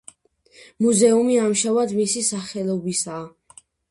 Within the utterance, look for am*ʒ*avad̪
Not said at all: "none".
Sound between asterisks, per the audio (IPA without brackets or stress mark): ʃ